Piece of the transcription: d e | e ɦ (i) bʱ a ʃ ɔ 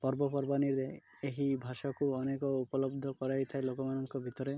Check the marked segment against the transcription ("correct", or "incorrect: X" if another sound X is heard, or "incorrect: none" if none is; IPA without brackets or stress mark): correct